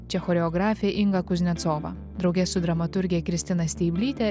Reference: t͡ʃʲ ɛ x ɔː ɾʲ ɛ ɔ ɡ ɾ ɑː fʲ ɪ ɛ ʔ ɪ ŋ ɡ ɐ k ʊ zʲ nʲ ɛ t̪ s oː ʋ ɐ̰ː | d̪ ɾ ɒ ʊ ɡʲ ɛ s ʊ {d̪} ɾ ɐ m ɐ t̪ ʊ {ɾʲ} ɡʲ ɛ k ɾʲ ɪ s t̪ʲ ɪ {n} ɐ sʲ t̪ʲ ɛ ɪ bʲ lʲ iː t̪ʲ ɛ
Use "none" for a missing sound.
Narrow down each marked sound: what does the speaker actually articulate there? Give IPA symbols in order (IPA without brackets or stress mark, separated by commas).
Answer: d̪, ɾʲ, n